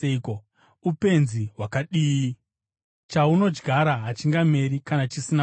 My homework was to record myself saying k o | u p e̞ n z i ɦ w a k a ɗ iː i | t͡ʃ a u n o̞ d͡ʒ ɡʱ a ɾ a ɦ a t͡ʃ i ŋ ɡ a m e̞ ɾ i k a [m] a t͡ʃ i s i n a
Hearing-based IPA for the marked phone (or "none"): n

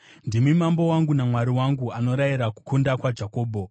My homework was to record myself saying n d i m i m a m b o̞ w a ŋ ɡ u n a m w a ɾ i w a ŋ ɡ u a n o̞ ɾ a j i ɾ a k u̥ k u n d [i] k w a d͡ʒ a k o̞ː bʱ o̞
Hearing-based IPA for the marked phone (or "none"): a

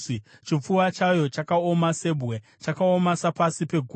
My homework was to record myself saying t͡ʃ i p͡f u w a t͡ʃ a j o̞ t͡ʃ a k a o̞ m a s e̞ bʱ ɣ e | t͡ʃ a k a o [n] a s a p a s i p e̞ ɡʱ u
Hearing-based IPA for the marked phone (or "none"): m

